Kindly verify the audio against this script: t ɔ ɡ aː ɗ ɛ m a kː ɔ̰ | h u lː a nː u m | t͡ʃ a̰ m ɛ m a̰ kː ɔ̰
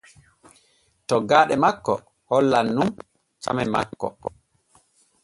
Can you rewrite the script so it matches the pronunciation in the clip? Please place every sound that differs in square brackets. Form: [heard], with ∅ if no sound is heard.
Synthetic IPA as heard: t ɔ ɡ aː ɗ ɛ m a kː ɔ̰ | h [ɔ] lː a nː u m | t͡ʃ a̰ m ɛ m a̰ kː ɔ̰